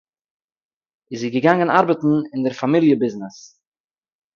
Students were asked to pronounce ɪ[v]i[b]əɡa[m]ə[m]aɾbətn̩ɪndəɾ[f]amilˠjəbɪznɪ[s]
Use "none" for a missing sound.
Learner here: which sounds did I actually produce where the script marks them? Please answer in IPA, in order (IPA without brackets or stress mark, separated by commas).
z, ɡ, ŋ, n, f, s